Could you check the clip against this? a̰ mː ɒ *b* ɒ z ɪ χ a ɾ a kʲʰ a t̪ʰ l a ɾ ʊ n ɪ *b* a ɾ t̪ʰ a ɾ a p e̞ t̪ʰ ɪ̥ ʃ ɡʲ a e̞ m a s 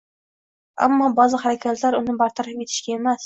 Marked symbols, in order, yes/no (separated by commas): yes, yes